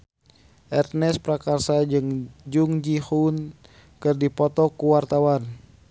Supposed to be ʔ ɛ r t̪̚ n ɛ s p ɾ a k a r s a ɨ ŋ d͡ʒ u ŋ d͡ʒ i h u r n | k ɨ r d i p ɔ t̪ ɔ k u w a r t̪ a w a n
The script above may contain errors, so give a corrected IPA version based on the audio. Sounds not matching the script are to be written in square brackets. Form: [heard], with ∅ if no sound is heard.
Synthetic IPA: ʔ ɛ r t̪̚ n ɛ s p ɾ a k a r s a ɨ ŋ d͡ʒ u ŋ d͡ʒ i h u [∅] n | k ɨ r d i p ɔ t̪ ɔ k u w a r t̪ a w a n